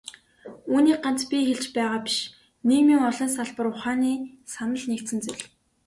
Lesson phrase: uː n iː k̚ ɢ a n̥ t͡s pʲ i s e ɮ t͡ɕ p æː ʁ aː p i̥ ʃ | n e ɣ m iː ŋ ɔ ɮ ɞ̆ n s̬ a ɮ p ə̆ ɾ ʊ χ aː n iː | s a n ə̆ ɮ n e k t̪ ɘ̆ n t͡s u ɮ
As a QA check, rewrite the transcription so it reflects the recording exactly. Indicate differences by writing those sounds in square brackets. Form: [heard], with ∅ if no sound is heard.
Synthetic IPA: uː n iː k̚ ɢ a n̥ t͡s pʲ i [x] e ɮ t͡ɕ p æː ʁ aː p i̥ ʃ | n e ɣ m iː ŋ ɔ ɮ ɞ̆ n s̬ a ɮ p ə̆ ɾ ʊ χ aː n iː | s a n ə̆ ɮ n e k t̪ ɘ̆ n t͡s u ɮ

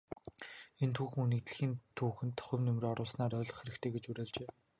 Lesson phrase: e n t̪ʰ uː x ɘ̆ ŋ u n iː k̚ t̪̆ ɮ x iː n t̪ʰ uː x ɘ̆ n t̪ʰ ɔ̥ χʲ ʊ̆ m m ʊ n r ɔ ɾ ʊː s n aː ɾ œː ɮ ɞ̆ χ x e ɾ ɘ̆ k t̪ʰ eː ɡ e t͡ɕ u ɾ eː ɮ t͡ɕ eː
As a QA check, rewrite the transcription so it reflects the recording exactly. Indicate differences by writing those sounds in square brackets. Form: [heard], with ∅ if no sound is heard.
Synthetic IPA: e n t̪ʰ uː x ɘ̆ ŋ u n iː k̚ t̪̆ ɮ x iː n t̪ʰ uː x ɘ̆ n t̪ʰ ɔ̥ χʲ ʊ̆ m [n] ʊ [m] r ɔ ɾ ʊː s n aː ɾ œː ɮ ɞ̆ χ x e ɾ ɘ̆ k t̪ʰ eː ɡ e t͡ɕ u ɾ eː ɮ t͡ɕ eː

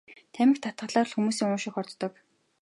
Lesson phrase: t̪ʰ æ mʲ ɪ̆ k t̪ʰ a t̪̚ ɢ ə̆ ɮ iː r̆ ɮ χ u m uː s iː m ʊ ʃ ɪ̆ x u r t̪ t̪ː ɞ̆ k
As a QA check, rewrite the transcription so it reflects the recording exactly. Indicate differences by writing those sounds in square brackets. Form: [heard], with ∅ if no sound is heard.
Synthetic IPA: t̪ʰ æ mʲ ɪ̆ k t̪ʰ a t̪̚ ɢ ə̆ ɮ [aː] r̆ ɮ [x] u m uː s iː [ŋ] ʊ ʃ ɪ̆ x [ɔ] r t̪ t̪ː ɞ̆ k

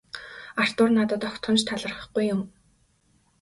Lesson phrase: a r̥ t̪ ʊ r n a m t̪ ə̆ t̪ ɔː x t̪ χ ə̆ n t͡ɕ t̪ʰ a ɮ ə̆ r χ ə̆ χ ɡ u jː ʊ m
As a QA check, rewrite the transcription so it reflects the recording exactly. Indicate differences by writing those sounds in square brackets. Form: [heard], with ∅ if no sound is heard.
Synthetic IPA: a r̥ t̪ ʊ r n a [∅] t̪ ə̆ t̪ [ɔ] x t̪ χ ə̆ n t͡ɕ t̪ʰ a ɮ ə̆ r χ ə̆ χ ɡ u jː ʊ m

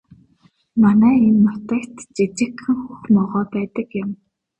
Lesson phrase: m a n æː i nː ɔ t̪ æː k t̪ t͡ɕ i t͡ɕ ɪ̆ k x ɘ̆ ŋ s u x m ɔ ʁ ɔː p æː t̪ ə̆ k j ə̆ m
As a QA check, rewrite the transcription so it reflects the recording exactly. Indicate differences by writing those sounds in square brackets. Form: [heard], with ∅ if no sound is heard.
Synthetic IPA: m a n æː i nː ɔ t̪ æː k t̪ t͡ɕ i t͡ɕ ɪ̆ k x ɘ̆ ŋ [x] u x m ɔ ʁ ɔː p æː t̪ ə̆ k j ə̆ m

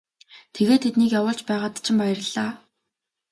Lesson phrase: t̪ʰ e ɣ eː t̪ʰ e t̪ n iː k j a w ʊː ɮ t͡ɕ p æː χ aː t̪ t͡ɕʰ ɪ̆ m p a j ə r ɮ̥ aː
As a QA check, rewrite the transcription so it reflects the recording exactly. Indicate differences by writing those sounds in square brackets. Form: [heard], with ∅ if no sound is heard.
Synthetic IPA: t̪ʰ e ɣ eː t̪ʰ e t̪ n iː k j a w ʊː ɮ t͡ɕ p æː [ʁ] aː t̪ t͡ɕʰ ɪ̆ m p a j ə r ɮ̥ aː

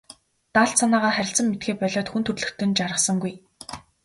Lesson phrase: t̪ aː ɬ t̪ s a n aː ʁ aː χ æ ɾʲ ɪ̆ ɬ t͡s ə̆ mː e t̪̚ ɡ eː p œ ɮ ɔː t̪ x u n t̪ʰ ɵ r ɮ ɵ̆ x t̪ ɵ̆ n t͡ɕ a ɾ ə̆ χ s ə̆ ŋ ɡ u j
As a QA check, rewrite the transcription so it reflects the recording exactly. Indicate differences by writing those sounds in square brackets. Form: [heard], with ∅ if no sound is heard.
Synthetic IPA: t̪ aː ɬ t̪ s a n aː ʁ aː χ æ ɾʲ ɪ̆ ɬ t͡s ə̆ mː e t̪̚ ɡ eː p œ ɮ ɔː t̪ x u n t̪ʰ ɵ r ɮ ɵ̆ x t̪ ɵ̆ n t͡ɕ a ɾ ə̆ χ s ə̆ ŋ ɡ u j

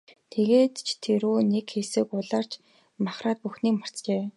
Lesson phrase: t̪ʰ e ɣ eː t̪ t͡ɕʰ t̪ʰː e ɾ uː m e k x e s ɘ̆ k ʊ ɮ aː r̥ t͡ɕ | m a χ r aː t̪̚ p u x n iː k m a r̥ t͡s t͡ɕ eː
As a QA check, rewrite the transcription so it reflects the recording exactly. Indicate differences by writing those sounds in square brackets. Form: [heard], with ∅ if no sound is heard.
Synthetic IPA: t̪ʰ e ɣ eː t̪ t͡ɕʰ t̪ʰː e ɾ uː [n] e k x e s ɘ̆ k ʊ ɮ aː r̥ t͡ɕ | m a χ r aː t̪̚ p u x n iː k m a r̥ t͡s t͡ɕ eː

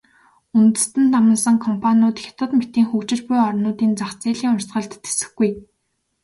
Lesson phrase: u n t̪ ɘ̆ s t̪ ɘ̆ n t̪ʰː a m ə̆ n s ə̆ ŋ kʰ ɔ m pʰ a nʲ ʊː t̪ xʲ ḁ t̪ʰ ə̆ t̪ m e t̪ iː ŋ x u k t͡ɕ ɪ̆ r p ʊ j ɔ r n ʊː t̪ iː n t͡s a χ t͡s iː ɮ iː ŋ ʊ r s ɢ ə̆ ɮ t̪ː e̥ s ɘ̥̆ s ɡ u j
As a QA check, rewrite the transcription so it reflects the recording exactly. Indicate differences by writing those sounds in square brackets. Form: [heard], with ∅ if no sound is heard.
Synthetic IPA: u n t̪ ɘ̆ s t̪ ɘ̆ n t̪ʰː a m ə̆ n s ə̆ ŋ kʰ ɔ m pʰ a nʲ ʊː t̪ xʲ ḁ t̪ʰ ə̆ t̪ m e t̪ iː ŋ x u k t͡ɕ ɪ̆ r p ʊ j ɔ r n ʊː t̪ iː n t͡s a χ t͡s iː ɮ iː ŋ ʊ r s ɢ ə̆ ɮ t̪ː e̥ s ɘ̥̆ [x] ɡ u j

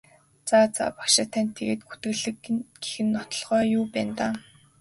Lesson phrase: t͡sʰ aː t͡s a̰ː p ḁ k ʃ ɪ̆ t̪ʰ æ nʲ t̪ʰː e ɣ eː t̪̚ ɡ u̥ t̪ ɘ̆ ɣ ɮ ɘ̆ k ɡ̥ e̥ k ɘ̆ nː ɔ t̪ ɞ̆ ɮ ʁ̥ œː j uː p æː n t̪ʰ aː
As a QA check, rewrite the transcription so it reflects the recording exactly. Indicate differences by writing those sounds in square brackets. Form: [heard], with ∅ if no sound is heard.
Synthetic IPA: [t͡s] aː t͡s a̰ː p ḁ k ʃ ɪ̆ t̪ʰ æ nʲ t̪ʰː e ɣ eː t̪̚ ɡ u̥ t̪ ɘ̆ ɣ ɮ ɘ̆ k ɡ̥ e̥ [x] ɘ̆ nː ɔ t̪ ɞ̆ ɮ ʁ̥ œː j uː p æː n [t̪] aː

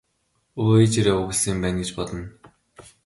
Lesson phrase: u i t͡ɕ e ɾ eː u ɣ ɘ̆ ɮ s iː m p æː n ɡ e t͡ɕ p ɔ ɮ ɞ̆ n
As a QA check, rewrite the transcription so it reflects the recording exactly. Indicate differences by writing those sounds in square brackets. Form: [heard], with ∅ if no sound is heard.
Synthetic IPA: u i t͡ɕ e ɾ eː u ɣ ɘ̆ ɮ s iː m p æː n ɡ e t͡ɕ p ɔ ɮ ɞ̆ n

